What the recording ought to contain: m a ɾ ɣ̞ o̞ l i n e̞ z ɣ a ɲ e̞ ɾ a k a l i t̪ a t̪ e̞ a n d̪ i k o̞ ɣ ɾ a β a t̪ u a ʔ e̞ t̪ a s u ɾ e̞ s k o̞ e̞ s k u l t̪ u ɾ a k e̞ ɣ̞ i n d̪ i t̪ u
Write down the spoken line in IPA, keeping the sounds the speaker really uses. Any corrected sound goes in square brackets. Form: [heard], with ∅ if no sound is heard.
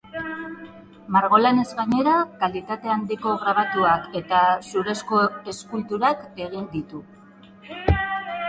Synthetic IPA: m a ɾ ɣ̞ o̞ l [a] n e̞ z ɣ a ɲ e̞ ɾ a k a l i t̪ a t̪ e̞ a n d̪ i k o̞ ɣ ɾ a β a t̪ u a [k] e̞ t̪ a s u ɾ e̞ s k o̞ e̞ s k u l t̪ u ɾ a k e̞ ɣ̞ i n d̪ i t̪ u